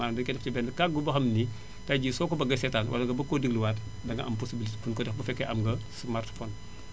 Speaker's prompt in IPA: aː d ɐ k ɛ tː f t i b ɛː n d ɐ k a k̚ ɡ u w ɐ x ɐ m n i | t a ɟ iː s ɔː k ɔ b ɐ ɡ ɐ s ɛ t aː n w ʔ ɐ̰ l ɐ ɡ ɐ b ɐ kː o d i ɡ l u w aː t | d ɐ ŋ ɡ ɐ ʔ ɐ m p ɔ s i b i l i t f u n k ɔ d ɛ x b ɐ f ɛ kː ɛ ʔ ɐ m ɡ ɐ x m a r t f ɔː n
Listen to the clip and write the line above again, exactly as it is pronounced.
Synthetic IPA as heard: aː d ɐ k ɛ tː f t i b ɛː n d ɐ k a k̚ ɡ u b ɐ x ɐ m n i | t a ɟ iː s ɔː k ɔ b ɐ ɡ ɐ s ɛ t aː n w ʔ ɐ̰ l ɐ ɡ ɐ b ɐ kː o d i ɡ l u w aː t | d ɐ ŋ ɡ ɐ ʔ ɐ m p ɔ s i b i l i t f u n k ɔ d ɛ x b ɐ f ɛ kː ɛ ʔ ɐ m ɡ ɐ s m a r t f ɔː n